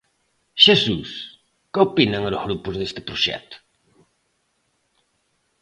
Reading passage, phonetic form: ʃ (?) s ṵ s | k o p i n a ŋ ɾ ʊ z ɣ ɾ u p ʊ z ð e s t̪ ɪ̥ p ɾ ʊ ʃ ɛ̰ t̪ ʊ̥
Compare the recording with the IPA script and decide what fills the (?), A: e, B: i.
A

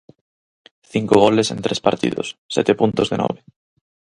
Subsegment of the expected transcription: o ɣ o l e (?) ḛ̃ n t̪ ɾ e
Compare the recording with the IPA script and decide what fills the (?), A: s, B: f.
A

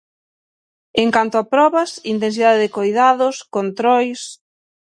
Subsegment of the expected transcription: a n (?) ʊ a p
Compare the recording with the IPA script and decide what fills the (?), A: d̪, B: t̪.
B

